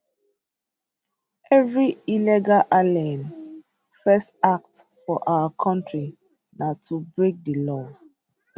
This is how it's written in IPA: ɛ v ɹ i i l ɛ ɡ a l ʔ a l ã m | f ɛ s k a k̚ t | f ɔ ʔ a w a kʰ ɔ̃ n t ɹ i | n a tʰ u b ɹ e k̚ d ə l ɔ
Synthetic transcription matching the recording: ɛ v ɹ i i l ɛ ɡ a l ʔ a l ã n | f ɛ s t a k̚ t | f ɔ ʔ a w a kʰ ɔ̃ n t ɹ i | n a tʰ u b ɹ e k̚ d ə l ɔ